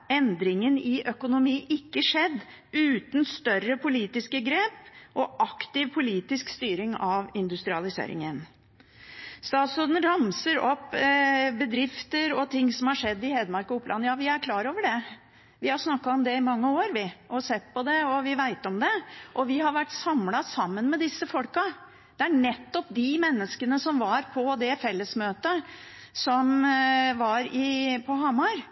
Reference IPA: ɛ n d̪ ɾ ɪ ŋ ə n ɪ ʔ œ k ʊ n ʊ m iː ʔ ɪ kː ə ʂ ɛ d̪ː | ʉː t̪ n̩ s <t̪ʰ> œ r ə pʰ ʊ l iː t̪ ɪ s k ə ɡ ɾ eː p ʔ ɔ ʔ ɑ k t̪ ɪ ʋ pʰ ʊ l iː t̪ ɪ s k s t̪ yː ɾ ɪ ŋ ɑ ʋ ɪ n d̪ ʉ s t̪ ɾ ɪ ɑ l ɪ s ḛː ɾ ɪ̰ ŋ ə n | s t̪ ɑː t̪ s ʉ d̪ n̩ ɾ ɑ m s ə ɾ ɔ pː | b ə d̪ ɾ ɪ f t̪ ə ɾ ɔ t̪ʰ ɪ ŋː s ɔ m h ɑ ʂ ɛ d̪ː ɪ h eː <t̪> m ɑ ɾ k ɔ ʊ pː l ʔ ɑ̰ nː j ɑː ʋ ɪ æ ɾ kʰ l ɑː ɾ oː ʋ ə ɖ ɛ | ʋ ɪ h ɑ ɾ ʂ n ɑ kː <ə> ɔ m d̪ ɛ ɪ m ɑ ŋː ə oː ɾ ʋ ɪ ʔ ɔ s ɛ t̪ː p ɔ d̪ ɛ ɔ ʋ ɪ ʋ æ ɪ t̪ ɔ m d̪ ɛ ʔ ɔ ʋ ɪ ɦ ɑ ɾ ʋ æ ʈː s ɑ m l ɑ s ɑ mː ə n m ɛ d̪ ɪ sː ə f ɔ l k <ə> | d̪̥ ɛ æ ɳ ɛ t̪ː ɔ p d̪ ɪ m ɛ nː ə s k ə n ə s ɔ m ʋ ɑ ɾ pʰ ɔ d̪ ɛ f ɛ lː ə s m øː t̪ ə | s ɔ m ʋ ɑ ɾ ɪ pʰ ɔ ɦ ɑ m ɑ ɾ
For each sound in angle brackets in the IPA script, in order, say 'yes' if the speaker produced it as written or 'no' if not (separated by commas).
no, no, no, no